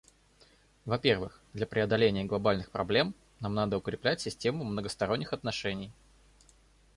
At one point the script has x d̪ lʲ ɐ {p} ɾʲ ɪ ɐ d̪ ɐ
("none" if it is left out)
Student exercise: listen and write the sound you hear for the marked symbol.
p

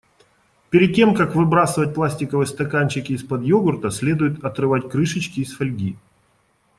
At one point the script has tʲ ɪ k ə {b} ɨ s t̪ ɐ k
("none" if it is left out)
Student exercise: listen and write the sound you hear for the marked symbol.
v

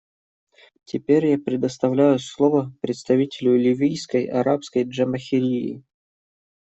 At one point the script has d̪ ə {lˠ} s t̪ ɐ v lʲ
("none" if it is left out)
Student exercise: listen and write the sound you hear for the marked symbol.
none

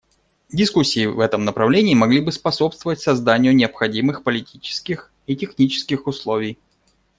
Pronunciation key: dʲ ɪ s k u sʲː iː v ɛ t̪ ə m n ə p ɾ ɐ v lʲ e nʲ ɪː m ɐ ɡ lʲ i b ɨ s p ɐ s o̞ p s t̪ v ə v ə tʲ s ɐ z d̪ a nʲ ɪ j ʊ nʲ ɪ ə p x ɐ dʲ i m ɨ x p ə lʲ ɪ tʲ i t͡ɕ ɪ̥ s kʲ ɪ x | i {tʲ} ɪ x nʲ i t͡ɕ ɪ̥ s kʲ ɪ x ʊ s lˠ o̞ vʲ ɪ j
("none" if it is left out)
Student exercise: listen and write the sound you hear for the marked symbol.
tʲ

